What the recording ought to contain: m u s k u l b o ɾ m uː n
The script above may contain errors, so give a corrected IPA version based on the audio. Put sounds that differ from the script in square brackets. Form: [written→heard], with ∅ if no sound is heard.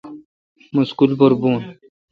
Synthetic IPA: m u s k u l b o ɾ [m→b] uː n